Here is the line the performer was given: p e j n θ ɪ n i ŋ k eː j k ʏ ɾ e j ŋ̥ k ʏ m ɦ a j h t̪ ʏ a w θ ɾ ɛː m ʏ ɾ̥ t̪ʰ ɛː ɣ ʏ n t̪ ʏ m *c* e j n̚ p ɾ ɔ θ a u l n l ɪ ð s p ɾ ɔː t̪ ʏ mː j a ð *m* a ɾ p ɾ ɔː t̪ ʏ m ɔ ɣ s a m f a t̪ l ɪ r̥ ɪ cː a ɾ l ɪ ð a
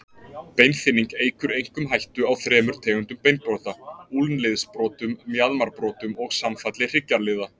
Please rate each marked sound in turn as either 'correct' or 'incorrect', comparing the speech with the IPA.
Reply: incorrect: p, correct

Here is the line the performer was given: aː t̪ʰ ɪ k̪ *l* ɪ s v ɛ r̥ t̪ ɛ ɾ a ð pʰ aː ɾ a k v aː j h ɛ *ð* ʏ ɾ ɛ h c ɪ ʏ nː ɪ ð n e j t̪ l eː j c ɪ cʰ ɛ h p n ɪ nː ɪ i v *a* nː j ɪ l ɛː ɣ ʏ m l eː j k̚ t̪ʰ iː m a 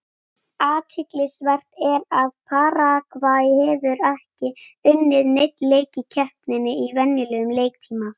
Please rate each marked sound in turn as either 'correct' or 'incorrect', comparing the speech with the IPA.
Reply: correct, incorrect: v, incorrect: ɛ

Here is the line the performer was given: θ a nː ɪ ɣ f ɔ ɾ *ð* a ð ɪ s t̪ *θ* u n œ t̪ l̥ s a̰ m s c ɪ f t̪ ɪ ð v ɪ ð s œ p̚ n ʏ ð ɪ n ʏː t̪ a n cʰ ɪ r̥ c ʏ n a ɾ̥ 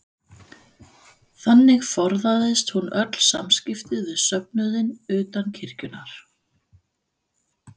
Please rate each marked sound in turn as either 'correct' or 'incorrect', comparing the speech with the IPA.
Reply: correct, incorrect: h

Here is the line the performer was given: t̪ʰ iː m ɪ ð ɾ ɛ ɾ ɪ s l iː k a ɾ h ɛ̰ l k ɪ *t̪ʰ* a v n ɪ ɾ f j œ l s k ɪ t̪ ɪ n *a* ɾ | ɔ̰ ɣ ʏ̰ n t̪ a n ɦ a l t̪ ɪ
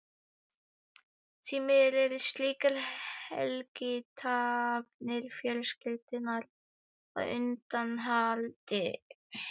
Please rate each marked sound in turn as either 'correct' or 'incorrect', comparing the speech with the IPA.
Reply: correct, correct

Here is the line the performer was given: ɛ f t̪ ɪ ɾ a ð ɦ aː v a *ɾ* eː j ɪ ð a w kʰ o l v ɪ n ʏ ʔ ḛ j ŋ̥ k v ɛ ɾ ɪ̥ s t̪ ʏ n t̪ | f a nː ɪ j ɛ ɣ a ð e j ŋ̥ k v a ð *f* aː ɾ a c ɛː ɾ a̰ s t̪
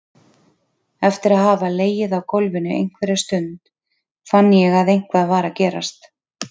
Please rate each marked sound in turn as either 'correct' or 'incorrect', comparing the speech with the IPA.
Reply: incorrect: l, incorrect: v

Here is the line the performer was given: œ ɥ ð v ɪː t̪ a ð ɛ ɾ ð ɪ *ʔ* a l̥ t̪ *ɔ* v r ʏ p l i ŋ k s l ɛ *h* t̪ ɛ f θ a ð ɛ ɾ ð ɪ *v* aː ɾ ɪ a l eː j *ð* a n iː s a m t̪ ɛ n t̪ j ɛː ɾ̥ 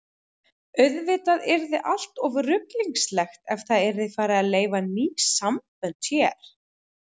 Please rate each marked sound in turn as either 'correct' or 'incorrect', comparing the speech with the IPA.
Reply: correct, correct, incorrect: x, incorrect: f, incorrect: v

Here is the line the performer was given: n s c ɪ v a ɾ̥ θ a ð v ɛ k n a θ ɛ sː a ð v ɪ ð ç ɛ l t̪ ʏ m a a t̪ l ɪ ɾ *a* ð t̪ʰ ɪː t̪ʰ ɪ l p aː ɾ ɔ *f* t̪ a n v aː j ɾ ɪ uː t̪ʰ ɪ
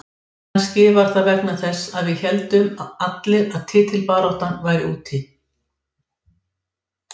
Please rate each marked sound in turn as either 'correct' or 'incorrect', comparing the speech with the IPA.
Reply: correct, incorrect: h

